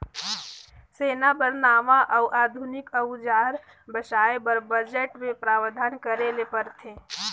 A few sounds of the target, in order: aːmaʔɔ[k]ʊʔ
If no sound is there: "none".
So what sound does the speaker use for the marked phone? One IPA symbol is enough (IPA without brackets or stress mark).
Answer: none